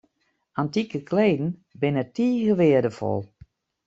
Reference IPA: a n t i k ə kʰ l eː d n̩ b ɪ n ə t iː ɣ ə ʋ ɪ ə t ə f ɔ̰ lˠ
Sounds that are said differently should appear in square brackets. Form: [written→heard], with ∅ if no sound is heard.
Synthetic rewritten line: a n t i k ə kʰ l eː d n̩ b ɪ n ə t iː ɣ ə ʋ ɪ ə [t→d] ə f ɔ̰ lˠ